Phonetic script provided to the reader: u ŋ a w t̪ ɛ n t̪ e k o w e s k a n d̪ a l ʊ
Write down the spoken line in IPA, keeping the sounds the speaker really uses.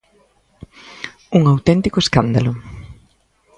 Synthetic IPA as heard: u ŋ a w t̪ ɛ n t̪ i k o e s k a n d̪ a l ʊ